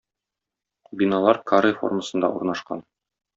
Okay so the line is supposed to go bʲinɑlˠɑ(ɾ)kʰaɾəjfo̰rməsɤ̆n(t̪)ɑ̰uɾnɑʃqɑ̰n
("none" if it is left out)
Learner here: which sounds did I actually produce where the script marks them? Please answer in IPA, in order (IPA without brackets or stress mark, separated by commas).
ɾ, d̪